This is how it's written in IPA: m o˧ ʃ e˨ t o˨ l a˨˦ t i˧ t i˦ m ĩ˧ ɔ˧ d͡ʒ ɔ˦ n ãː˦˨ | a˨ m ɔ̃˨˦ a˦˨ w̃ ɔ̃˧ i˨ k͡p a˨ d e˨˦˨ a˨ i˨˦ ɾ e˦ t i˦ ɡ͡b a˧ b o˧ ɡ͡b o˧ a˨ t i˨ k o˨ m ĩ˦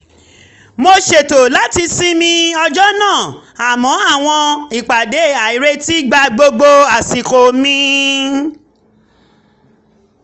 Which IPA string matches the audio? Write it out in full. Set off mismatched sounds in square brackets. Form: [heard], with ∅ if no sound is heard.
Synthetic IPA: m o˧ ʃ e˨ t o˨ l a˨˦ t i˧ [s] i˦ m ĩ˧ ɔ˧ d͡ʒ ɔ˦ n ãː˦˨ | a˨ m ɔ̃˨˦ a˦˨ w̃ ɔ̃˧ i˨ k͡p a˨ d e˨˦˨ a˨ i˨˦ ɾ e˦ t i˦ ɡ͡b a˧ [ɡ͡b] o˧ ɡ͡b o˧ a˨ [s] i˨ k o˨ m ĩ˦